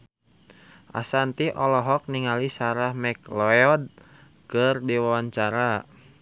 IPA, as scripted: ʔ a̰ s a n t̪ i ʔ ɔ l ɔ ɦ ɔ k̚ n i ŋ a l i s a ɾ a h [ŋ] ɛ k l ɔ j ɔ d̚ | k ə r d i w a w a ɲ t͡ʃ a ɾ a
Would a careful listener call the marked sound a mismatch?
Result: yes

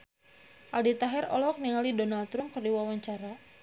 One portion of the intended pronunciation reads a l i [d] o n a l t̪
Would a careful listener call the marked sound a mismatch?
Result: no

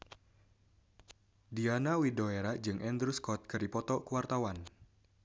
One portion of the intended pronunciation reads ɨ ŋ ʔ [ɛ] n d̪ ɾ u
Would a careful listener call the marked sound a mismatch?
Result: no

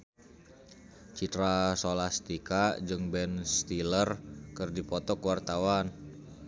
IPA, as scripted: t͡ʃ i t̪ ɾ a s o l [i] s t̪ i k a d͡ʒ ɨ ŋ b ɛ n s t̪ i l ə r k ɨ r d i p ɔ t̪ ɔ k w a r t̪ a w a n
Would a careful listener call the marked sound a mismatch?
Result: yes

